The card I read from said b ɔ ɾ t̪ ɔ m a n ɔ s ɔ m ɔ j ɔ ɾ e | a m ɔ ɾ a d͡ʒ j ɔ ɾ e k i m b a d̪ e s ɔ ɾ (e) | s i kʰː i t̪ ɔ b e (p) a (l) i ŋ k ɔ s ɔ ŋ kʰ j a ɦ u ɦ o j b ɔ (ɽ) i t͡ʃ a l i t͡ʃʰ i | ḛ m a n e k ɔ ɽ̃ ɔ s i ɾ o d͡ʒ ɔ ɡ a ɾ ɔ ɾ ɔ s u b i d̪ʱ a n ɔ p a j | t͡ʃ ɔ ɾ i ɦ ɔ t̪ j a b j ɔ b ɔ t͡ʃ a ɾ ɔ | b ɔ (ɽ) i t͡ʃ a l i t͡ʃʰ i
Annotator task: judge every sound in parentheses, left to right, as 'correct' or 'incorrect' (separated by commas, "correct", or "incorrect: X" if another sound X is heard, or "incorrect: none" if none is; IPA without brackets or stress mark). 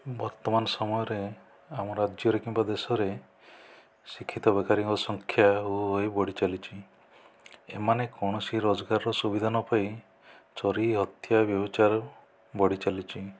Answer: correct, incorrect: k, incorrect: ɾ, correct, correct